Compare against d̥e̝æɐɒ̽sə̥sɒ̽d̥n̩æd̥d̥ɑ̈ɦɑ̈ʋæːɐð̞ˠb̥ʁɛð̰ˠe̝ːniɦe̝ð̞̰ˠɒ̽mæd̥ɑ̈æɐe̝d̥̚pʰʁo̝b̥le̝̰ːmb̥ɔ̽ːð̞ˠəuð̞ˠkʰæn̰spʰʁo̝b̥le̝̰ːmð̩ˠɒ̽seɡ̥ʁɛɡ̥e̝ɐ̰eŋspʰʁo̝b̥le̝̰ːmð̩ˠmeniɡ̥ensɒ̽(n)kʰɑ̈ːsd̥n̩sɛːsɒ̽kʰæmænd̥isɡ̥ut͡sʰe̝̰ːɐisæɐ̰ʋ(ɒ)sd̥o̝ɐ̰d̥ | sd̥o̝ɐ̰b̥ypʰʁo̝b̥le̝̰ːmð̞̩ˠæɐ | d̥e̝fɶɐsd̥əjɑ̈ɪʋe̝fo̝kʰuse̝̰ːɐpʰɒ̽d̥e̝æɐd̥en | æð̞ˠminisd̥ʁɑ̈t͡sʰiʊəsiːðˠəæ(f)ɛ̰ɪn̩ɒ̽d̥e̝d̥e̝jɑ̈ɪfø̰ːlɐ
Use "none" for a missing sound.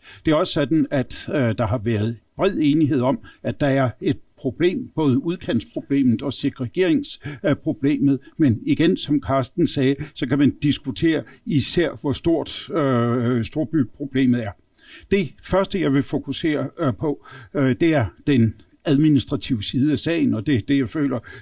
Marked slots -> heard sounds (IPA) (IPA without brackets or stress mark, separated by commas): m, ɒ, s